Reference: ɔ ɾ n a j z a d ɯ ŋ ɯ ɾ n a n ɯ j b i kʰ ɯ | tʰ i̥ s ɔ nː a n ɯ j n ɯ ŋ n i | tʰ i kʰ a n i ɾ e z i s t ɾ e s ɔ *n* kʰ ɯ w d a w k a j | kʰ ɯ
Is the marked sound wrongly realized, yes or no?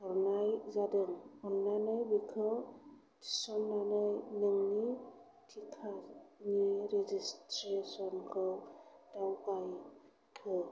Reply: no